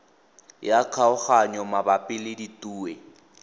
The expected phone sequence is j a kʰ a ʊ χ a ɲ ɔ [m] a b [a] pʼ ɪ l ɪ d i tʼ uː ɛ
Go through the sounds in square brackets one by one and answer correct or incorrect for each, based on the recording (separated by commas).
correct, correct